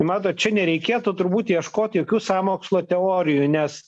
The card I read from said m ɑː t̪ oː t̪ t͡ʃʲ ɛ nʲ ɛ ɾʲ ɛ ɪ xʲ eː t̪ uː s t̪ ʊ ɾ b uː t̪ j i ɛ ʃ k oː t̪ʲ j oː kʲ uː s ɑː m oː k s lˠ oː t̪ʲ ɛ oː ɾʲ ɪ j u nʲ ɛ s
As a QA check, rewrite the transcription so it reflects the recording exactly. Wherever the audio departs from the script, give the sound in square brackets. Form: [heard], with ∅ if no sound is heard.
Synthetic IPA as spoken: m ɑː t̪ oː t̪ t͡ʃʲ ɛ nʲ ɛ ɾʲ ɛ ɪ [kʲ] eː t̪ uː [∅] t̪ ʊ ɾ b uː t̪ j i ɛ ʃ k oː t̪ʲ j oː kʲ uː s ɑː m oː k s lˠ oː t̪ʲ ɛ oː ɾʲ ɪ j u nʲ ɛ s